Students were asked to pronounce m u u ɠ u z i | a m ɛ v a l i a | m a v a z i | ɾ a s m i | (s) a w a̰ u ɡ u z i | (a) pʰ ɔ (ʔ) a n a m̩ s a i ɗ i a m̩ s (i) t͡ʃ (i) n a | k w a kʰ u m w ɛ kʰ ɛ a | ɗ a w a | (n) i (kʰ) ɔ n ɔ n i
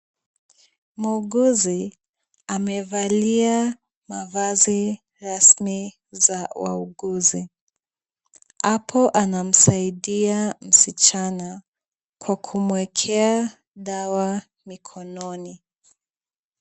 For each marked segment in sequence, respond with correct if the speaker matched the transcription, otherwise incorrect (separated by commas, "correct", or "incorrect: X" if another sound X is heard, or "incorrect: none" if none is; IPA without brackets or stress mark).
incorrect: z, correct, correct, correct, incorrect: a, incorrect: m, correct